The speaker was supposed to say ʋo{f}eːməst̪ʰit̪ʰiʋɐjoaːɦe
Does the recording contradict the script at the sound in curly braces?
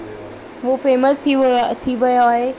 no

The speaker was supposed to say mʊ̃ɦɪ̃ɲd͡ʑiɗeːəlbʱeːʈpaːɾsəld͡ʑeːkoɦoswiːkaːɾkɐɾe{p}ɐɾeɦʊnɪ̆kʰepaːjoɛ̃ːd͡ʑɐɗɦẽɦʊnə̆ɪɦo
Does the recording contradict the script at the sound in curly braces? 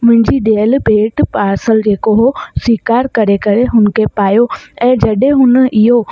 yes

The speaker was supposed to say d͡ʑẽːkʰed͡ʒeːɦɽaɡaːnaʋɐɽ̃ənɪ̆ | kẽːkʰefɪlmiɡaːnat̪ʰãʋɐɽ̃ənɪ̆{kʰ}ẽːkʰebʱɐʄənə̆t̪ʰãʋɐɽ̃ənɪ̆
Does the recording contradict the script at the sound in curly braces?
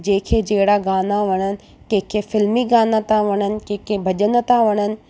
yes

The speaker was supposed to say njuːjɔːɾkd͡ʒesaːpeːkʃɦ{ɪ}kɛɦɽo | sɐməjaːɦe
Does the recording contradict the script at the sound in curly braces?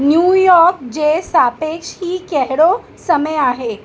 yes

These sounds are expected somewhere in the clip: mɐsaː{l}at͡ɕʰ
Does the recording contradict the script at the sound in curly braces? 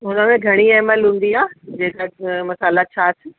no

